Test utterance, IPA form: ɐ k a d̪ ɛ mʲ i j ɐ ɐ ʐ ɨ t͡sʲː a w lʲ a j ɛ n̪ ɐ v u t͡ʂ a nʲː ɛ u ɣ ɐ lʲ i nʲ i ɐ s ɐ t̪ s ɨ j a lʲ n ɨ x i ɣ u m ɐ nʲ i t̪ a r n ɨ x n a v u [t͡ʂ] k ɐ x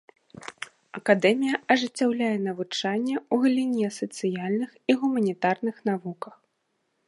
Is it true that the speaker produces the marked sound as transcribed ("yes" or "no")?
no